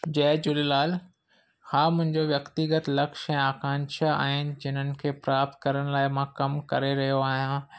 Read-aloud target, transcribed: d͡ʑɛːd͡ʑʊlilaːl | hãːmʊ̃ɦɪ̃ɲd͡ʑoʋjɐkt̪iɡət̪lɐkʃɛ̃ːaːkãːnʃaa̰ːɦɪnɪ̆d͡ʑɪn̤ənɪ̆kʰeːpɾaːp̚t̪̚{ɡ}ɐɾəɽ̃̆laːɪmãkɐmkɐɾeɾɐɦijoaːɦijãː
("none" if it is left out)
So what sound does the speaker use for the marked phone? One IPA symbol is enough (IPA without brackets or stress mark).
k